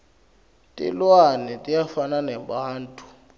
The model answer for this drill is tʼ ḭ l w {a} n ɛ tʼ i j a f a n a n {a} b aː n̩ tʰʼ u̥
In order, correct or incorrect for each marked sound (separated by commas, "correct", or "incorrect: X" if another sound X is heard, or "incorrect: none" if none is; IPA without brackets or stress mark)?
correct, incorrect: ɛ